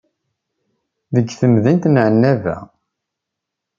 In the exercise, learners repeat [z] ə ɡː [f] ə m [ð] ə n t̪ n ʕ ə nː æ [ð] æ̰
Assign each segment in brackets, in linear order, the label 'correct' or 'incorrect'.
incorrect, incorrect, correct, incorrect

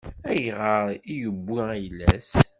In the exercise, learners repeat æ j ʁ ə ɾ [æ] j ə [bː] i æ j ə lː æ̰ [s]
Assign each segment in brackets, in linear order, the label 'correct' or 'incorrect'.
incorrect, correct, correct

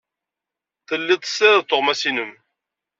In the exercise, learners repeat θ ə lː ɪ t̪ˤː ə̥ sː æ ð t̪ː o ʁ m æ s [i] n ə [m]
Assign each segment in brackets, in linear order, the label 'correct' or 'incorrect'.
correct, correct

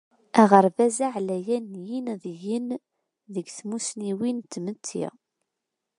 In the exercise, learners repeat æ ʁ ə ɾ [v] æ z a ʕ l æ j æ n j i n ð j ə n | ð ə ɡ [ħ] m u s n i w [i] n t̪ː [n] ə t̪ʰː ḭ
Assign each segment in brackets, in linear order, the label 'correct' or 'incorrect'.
correct, incorrect, correct, incorrect

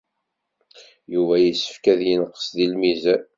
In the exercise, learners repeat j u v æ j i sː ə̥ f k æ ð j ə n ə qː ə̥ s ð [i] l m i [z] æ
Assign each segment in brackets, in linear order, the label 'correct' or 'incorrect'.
correct, correct

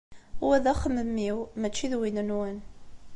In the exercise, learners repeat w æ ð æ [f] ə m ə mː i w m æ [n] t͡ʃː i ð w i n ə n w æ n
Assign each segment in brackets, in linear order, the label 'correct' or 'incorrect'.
incorrect, incorrect

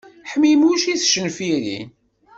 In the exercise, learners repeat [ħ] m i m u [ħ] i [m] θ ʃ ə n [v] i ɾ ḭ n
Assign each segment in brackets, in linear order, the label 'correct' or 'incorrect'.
correct, incorrect, incorrect, incorrect

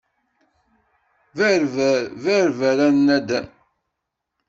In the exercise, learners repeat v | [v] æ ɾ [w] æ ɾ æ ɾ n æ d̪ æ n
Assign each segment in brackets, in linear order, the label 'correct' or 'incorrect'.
correct, incorrect

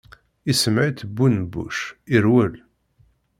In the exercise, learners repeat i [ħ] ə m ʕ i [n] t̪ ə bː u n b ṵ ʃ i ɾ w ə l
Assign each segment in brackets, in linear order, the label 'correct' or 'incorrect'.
incorrect, incorrect

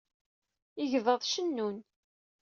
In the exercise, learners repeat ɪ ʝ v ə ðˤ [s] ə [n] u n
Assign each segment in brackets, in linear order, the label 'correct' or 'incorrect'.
incorrect, incorrect

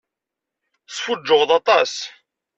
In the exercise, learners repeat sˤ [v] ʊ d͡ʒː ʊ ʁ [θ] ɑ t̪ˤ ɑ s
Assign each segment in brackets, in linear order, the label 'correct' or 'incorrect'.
incorrect, incorrect

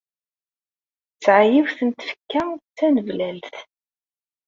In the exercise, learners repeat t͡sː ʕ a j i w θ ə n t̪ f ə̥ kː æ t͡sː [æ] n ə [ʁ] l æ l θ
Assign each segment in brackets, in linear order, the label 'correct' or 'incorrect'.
correct, incorrect

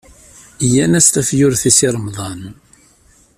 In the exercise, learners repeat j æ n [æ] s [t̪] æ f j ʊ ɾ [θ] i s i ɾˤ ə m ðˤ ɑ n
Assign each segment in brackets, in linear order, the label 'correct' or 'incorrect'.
correct, correct, correct

